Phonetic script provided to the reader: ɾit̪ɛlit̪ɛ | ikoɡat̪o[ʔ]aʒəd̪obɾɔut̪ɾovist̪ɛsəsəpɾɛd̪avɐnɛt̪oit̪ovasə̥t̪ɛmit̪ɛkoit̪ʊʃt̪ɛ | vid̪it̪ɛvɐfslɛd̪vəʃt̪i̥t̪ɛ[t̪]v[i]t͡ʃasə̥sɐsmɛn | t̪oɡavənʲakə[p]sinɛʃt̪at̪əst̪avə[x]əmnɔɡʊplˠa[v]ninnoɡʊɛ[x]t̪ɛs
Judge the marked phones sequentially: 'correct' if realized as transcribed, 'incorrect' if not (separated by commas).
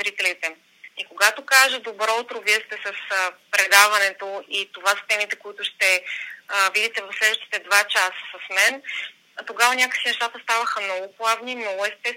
incorrect, incorrect, incorrect, incorrect, correct, correct, incorrect